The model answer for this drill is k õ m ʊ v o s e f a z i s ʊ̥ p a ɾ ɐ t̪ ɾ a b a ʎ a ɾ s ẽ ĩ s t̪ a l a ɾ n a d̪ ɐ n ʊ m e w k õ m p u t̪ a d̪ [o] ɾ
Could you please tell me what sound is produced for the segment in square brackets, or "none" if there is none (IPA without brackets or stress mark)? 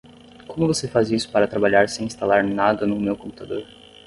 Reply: o